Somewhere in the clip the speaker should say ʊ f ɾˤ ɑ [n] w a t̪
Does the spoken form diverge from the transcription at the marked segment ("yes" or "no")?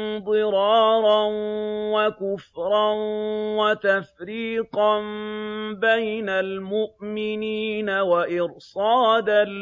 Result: no